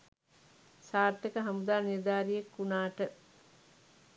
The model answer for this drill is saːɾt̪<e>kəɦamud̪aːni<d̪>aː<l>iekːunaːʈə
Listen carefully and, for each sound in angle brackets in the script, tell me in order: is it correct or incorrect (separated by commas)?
correct, correct, incorrect